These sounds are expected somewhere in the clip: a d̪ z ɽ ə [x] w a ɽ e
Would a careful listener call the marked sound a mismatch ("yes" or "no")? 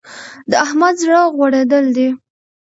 yes